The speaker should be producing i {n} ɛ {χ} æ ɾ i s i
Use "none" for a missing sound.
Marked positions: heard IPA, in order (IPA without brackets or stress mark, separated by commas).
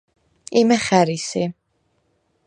m, χ